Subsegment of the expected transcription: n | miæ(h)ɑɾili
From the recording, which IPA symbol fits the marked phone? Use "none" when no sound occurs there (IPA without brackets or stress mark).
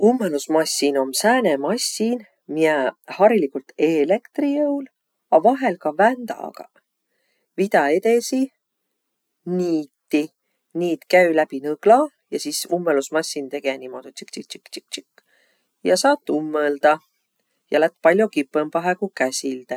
h